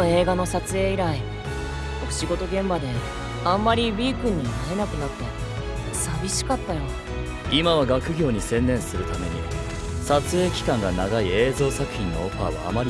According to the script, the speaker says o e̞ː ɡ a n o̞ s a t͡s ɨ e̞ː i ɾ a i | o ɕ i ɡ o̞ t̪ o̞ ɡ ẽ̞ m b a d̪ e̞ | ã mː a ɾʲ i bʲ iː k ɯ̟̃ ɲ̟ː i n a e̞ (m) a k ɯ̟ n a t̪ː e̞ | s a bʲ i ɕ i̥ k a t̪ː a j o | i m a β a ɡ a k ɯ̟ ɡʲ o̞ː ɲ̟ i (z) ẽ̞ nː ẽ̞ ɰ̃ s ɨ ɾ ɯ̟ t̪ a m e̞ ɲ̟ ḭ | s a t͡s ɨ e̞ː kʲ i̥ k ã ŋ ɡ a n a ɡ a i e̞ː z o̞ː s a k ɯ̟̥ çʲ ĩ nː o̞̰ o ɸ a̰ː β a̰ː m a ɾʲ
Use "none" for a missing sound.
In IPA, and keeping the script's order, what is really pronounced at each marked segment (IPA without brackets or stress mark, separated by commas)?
n, s